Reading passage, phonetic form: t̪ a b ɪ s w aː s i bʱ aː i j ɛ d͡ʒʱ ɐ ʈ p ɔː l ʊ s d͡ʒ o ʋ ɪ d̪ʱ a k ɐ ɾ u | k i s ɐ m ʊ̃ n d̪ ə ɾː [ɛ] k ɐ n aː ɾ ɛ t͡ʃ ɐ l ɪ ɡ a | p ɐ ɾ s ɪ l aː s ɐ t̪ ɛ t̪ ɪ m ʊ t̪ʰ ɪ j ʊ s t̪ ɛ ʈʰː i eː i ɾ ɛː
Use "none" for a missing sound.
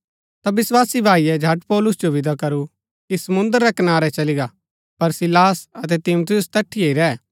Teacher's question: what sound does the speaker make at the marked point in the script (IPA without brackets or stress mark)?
ɛ